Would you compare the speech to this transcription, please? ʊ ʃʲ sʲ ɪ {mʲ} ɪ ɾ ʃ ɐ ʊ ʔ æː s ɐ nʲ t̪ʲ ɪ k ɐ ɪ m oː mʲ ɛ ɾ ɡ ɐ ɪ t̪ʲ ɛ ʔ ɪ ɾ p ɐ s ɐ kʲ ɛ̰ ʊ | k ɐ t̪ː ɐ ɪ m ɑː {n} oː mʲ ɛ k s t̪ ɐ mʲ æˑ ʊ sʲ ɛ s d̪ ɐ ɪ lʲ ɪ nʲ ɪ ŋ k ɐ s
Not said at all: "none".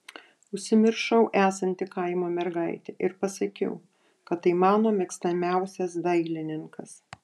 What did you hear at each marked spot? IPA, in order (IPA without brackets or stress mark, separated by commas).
mʲ, n